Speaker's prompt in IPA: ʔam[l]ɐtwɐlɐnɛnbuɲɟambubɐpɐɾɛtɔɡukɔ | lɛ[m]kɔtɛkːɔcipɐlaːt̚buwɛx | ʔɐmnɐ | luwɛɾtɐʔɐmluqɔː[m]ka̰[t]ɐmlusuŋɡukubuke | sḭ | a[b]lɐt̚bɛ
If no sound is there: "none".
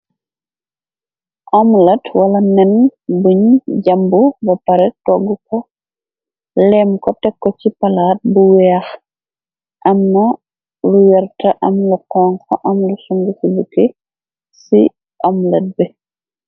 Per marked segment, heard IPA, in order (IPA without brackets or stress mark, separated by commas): l, m, ŋ, ʔ, m